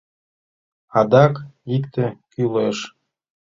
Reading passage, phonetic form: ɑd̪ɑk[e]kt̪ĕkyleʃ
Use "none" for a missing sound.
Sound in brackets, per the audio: i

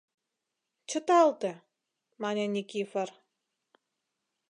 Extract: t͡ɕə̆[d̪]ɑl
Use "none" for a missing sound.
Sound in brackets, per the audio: t̪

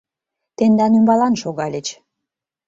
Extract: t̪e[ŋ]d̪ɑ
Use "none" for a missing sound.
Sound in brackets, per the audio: n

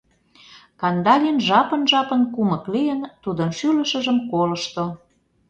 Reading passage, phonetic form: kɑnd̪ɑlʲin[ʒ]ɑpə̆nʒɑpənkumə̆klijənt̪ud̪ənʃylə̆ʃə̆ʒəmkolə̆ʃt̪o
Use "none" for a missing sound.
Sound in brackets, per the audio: ʒ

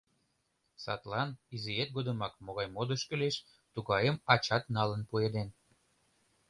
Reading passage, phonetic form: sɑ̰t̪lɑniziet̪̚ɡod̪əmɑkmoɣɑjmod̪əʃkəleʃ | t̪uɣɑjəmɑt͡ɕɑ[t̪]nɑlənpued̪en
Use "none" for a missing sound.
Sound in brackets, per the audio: t̪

